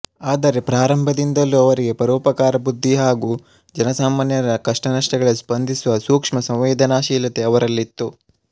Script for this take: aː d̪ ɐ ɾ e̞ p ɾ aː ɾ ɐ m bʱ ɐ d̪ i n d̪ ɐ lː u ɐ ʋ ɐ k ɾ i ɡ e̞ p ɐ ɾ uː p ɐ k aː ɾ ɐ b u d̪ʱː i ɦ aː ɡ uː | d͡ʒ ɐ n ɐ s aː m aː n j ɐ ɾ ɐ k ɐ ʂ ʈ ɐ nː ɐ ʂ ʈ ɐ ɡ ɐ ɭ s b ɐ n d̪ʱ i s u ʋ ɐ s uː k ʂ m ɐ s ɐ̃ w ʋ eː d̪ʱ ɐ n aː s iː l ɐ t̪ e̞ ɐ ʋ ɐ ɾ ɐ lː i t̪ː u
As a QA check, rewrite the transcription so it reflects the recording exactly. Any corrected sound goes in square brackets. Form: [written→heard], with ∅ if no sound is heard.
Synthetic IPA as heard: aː d̪ ɐ ɾ e̞ p ɾ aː ɾ ɐ m bʱ ɐ d̪ i n d̪ ɐ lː u ɐ ʋ ɐ [k→∅] ɾ i ɡ e̞ p ɐ ɾ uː p ɐ k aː ɾ ɐ b u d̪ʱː i ɦ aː ɡ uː | d͡ʒ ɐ n ɐ s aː m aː n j ɐ ɾ ɐ k ɐ ʂ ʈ ɐ [nː→n] ɐ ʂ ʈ ɐ ɡ ɐ ɭ s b ɐ n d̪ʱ i s u ʋ ɐ s uː k ʂ m ɐ s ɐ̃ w ʋ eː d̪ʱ ɐ n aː [s→ʃ] iː l ɐ t̪ e̞ ɐ ʋ ɐ ɾ ɐ lː i t̪ː u

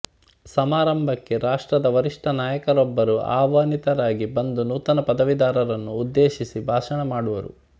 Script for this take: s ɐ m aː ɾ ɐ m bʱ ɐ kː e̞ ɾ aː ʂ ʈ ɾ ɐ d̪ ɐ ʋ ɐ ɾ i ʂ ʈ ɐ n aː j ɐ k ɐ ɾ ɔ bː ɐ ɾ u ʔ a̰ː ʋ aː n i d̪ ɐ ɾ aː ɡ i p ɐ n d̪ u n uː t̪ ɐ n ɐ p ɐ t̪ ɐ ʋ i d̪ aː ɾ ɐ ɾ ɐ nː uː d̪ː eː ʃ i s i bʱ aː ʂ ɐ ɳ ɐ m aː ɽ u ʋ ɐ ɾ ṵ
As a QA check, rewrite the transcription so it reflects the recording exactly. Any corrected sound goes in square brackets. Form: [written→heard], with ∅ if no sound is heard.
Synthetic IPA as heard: s ɐ m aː ɾ ɐ m bʱ ɐ kː e̞ ɾ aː ʂ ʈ ɾ ɐ d̪ ɐ ʋ ɐ ɾ i ʂ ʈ ɐ n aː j ɐ k ɐ ɾ ɔ bː ɐ ɾ u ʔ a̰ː ʋ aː n i [d̪→t̪] ɐ ɾ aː ɡ i [p→b] ɐ n d̪ u n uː t̪ ɐ n ɐ p ɐ [t̪→d̪] ɐ ʋ i d̪ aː ɾ ɐ ɾ ɐ nː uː d̪ː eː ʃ i s i bʱ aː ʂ ɐ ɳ ɐ m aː ɽ u ʋ ɐ ɾ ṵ

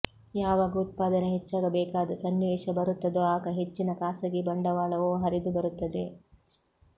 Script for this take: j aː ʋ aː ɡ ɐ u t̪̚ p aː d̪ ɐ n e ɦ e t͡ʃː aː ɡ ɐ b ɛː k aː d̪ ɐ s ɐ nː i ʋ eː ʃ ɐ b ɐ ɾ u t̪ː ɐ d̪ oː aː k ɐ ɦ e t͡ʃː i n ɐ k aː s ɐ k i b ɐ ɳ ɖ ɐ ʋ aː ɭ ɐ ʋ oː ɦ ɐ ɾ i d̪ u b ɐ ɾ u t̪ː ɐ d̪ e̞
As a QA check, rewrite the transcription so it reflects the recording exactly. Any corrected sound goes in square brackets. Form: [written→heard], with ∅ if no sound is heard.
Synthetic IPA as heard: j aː ʋ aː ɡ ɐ u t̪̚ p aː d̪ ɐ n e ɦ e t͡ʃː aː ɡ ɐ b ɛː k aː d̪ ɐ s ɐ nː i ʋ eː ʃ ɐ b ɐ ɾ u t̪ː ɐ d̪ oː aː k ɐ ɦ e t͡ʃː i n ɐ k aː s ɐ [k→ɡ] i b ɐ ɳ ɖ ɐ ʋ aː ɭ ɐ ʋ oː ɦ ɐ ɾ i d̪ u b ɐ ɾ u t̪ː ɐ d̪ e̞

